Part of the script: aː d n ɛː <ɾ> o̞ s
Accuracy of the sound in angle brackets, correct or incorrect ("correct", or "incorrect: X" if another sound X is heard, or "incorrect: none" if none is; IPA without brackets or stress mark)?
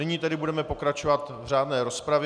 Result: correct